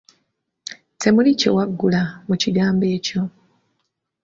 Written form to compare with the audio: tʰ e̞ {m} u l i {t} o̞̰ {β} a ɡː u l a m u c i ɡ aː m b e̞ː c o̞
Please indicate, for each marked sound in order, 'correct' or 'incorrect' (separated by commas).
correct, incorrect, incorrect